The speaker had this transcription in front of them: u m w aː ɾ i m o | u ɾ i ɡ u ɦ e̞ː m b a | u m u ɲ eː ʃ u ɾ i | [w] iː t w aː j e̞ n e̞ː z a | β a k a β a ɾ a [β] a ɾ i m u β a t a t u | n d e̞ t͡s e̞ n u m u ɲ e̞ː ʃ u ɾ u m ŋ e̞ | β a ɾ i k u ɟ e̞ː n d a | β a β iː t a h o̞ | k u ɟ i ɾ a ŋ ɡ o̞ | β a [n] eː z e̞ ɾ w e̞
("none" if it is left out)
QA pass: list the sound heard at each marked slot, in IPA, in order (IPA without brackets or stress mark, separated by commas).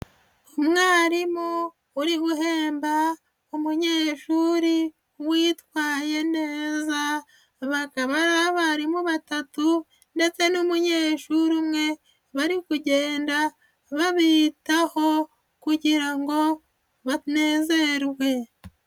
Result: w, β, n